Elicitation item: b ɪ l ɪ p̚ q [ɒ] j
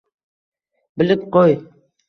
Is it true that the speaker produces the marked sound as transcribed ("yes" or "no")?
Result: no